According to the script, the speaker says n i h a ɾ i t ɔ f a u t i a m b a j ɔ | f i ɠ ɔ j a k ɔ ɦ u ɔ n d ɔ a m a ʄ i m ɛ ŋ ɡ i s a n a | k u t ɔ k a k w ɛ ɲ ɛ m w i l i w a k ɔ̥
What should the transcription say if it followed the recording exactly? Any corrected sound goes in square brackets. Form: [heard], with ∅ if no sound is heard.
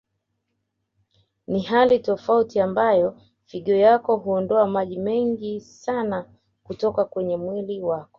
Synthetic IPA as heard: n i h a [l] i t ɔ f a u t i a m b a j ɔ | f i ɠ ɔ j a k ɔ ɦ u ɔ n d ɔ a m a ʄ i m ɛ ŋ ɡ i s a n a | k u t ɔ k a k w ɛ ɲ ɛ m w i l i w a k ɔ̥